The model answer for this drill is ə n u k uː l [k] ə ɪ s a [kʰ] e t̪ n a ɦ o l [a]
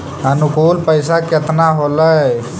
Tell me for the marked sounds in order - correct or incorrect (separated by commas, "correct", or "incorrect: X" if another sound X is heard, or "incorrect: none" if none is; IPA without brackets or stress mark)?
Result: incorrect: p, incorrect: k, incorrect: ə